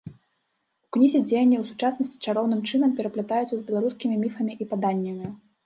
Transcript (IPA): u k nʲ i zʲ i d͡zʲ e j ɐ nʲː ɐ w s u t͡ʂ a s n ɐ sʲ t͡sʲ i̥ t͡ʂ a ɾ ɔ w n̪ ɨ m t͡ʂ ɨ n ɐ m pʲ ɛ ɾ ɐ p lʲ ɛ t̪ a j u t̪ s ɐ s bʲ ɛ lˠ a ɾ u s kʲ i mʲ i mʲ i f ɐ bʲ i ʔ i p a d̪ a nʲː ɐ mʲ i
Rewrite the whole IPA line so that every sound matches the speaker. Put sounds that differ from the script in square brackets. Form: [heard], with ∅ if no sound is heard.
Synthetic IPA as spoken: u k nʲ i zʲ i d͡zʲ e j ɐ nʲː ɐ w s u t͡ʂ a s n ɐ sʲ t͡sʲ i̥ t͡ʂ a ɾ ɔ w n̪ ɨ m t͡ʂ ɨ n ɐ m pʲ ɛ ɾ ɐ p lʲ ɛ t̪ a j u t̪ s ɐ [z] bʲ ɛ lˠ a ɾ u s kʲ i mʲ i mʲ i f ɐ [mʲ] i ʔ i p a d̪ a nʲː ɐ mʲ i